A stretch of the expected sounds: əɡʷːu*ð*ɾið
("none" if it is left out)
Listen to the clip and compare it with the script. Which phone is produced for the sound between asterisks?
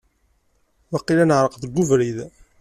v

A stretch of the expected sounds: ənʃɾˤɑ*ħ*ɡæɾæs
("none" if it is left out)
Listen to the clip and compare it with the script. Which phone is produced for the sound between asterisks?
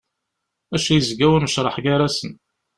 ħ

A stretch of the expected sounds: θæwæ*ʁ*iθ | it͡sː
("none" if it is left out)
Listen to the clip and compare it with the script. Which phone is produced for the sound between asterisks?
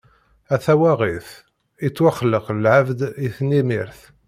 ʁ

